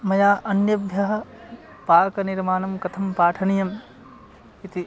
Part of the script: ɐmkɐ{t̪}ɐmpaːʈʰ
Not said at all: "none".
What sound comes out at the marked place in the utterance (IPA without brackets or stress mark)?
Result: t̪ʰ